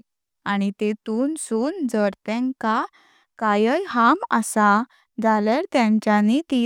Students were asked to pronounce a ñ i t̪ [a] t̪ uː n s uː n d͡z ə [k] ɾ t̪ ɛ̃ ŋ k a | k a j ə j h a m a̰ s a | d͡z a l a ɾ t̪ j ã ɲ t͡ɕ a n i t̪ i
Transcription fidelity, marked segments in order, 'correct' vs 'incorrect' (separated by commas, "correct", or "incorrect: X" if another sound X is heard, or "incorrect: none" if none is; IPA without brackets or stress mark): incorrect: e, incorrect: none